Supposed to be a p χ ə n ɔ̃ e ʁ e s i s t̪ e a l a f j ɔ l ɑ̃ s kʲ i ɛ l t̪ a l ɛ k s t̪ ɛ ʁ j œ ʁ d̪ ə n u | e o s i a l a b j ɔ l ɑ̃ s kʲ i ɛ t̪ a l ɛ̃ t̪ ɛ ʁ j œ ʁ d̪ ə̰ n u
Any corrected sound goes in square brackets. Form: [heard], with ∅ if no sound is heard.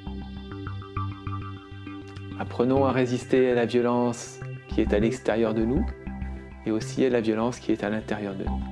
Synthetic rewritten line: a p χ ə n ɔ̃ [a] ʁ e [z] i s t̪ e a l a [v] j ɔ l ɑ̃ s kʲ i ɛ [∅] t̪ a l ɛ k s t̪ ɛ ʁ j œ ʁ d̪ ə n u | e o s i a l a [v] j ɔ l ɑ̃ s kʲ i ɛ t̪ a l ɛ̃ t̪ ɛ ʁ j œ ʁ d̪ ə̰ n u

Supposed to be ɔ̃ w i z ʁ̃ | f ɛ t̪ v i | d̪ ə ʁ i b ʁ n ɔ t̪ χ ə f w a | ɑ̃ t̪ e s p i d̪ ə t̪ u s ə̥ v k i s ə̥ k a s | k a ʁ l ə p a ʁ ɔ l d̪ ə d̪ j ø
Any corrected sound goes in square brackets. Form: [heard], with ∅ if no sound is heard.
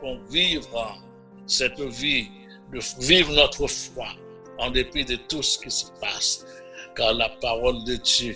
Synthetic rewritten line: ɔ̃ [v] i [v] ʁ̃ | [s] ɛ t̪ v i | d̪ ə [v] i [v] ʁ n ɔ t̪ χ ə f w a | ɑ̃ [d̪] e [∅] p i d̪ ə t̪ u s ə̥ [∅] k i s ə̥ [p] a s | k a ʁ l [a] p a ʁ ɔ l d̪ ə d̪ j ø

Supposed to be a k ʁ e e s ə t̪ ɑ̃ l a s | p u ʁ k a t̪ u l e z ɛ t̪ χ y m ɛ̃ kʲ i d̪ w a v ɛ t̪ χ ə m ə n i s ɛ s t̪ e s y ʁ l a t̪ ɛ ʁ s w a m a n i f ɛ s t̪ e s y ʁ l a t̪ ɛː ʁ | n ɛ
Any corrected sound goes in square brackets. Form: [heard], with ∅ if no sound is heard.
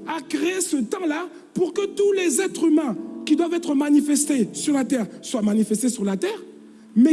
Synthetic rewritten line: a k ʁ e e s ə t̪ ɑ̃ l a [∅] | p u ʁ k [ə] t̪ u l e z ɛ t̪ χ y m ɛ̃ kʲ i d̪ w a v ɛ t̪ χ ə m [a] n i [f] ɛ s t̪ e s y ʁ l a t̪ ɛ ʁ s w a m a n i f ɛ s t̪ e s y ʁ l a t̪ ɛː ʁ | [m] ɛ

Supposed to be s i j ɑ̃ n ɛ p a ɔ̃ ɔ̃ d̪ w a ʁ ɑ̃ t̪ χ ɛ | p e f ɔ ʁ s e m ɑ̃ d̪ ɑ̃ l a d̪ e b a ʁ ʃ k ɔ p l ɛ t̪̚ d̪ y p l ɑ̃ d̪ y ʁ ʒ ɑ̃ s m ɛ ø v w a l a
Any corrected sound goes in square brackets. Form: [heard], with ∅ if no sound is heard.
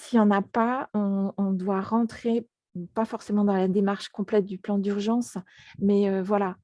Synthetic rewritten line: s i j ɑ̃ n [a] p a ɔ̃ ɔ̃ d̪ w a ʁ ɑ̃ t̪ χ [e] | p [a] f ɔ ʁ s e m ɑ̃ d̪ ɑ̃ l a d̪ e [m] a ʁ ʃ k [ɔ̃] p l ɛ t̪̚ d̪ y p l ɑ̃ d̪ y ʁ ʒ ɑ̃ s m ɛ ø v w a l a

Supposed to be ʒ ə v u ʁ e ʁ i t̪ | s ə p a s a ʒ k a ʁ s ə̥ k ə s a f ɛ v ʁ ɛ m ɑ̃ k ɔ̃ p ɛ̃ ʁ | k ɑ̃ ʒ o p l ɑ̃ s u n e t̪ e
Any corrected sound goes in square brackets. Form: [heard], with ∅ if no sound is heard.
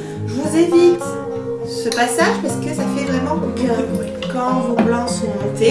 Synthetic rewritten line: ʒ ə v u [z] e [v] i t̪ | s ə p a s a ʒ [p] a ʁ s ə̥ k ə s a f ɛ v ʁ ɛ m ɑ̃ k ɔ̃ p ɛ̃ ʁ | k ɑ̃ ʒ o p l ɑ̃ s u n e t̪ e

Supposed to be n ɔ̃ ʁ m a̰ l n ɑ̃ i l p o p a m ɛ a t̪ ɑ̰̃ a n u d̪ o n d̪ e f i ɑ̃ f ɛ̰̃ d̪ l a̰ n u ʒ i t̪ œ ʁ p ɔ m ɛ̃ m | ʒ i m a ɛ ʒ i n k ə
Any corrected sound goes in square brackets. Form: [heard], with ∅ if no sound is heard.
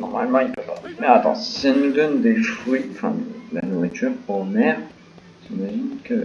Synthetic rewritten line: n [ɔ] ʁ m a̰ l [m] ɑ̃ i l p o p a m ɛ a t̪ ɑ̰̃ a n u d̪ [ɔ] n d̪ e f i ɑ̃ f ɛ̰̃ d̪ l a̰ n u [ʁ] i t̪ [y] ʁ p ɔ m [ɛ] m | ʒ i m a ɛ ʒ i n k ə

